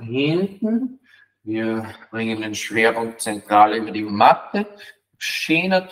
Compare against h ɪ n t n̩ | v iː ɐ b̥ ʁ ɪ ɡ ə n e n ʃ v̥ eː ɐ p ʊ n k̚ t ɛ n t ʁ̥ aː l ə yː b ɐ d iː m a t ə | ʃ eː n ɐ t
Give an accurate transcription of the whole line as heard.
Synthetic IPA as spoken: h ɪ n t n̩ | v iː ɐ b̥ ʁ ɪ ŋ ə n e n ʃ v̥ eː ɐ p ʊ ŋ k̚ t͡s ɛ n t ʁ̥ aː l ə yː b ɐ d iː m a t ə | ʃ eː n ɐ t